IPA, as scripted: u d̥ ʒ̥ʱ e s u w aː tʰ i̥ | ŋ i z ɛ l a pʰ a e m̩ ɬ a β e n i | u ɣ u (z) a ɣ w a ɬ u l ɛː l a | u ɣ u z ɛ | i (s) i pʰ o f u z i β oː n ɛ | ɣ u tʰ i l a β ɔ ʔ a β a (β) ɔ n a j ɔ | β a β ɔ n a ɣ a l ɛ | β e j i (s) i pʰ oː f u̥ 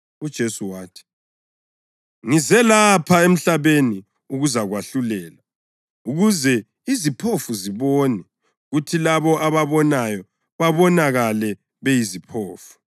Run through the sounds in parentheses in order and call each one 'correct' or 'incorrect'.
correct, incorrect, correct, incorrect

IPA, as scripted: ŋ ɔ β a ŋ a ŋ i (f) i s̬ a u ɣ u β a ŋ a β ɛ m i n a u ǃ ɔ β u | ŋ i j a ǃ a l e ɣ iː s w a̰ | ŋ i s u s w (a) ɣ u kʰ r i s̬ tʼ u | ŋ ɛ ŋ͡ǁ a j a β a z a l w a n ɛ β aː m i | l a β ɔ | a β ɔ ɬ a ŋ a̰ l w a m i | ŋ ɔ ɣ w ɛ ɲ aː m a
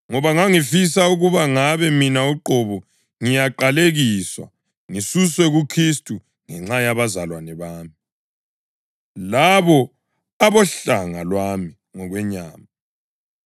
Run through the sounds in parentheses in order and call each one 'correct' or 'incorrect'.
correct, incorrect

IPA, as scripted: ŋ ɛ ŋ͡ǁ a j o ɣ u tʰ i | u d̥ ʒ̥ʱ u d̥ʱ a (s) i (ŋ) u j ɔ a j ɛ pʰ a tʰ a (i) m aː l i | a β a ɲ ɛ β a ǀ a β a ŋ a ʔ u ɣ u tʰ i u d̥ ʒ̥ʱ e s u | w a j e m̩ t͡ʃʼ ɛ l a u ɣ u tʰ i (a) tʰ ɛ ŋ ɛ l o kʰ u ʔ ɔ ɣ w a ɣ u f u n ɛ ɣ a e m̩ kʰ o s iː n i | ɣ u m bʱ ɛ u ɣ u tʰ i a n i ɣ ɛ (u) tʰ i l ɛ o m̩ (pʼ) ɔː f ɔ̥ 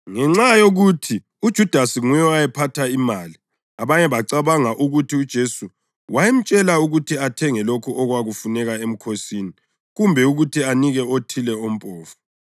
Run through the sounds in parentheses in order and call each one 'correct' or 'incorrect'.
correct, correct, correct, correct, incorrect, correct

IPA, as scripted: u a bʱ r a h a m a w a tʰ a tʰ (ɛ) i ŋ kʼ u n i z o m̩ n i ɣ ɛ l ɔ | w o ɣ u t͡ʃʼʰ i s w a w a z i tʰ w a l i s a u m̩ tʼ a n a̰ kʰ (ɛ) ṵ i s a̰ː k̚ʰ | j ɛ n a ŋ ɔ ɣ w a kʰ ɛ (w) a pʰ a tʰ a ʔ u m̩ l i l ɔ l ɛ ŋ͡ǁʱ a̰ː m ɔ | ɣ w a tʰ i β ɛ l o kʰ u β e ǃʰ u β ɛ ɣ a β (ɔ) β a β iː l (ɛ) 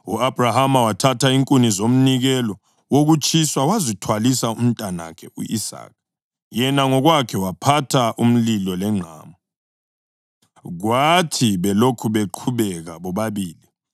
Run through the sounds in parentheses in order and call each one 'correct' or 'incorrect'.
incorrect, correct, correct, correct, incorrect

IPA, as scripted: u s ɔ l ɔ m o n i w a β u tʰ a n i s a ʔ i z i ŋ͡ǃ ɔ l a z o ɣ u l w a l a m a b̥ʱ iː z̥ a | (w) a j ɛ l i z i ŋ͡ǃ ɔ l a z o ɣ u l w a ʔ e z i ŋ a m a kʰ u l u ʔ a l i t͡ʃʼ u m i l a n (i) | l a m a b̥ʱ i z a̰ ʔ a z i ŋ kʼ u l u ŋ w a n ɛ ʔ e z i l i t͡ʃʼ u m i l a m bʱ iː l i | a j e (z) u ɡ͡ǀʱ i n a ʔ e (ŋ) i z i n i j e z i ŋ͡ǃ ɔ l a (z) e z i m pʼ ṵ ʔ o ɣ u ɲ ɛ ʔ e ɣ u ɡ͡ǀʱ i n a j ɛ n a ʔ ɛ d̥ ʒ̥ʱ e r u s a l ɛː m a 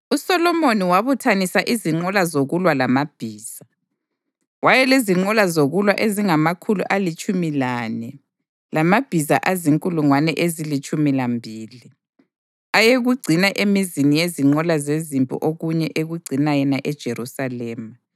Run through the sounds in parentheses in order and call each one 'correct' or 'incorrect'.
correct, incorrect, incorrect, incorrect, correct

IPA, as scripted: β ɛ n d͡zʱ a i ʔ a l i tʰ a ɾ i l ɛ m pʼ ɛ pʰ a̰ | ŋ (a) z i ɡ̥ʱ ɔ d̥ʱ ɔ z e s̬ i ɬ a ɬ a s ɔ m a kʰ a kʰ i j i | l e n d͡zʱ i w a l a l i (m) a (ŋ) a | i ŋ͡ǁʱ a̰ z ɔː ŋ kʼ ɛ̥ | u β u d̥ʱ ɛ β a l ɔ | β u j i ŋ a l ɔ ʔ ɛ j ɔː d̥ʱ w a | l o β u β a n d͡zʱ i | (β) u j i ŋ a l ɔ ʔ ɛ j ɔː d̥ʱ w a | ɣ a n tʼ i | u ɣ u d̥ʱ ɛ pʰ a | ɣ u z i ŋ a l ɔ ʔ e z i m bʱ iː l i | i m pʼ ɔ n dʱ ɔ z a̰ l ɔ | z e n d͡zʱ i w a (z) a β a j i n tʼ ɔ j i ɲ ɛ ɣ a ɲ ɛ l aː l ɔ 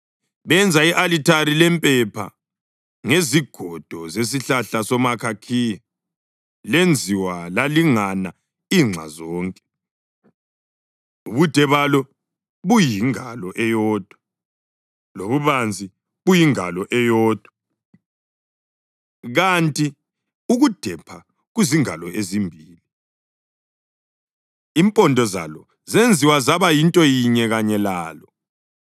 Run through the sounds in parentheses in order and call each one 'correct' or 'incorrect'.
incorrect, incorrect, incorrect, correct, correct

